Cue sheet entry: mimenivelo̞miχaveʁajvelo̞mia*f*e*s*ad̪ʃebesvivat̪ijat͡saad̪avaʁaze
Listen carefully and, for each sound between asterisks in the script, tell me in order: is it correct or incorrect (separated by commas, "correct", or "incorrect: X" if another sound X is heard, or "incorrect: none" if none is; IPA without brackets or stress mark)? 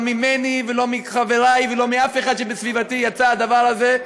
correct, incorrect: χ